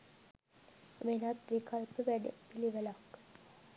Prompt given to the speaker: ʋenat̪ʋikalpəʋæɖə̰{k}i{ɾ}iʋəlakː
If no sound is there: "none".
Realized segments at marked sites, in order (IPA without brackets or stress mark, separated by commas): p, l